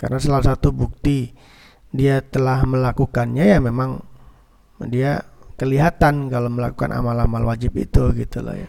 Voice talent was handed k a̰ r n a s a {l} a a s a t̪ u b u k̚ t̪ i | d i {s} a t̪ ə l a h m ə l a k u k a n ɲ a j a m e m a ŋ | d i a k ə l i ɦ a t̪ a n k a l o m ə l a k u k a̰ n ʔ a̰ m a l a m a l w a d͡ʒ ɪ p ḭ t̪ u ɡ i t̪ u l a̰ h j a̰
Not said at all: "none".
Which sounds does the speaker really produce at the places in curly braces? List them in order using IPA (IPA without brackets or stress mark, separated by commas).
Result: l, none